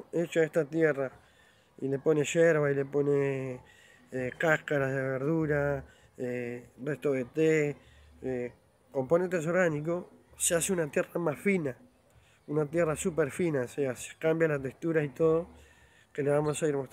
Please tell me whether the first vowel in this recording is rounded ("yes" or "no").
no